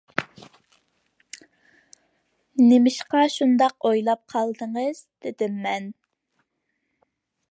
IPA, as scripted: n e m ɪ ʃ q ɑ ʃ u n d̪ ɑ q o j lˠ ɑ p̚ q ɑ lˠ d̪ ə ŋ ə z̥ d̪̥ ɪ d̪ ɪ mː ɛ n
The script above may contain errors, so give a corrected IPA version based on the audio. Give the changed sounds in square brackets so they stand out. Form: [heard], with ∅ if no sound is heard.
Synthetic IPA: n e m ɪ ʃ q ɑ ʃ u n d̪ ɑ q o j lˠ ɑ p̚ [qʰ] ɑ lˠ d̪ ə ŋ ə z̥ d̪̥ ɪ d̪ ɪ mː ɛ n